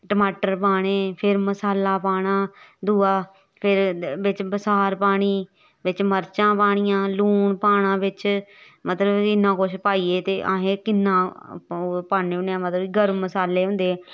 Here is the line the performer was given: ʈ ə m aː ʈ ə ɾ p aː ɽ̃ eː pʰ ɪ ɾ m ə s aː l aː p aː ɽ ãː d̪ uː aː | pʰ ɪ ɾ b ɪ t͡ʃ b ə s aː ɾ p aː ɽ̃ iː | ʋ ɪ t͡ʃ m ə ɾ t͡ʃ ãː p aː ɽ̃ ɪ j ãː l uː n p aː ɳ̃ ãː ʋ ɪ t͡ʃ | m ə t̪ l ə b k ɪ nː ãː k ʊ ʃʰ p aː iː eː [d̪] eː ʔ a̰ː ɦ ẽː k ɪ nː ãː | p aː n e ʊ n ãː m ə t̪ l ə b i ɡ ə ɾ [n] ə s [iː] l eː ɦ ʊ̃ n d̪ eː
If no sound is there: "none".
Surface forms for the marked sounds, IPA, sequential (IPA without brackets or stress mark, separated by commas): t̪, m, aː